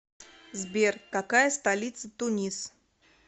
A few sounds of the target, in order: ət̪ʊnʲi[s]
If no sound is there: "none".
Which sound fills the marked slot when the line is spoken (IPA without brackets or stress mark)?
s